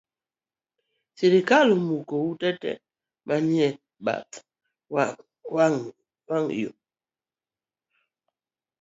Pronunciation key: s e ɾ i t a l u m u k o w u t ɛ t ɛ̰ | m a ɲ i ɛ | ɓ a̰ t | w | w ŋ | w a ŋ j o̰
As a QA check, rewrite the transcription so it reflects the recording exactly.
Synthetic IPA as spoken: s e ɾ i k a l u m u k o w u t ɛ t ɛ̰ | m a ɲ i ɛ | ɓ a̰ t | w | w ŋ | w a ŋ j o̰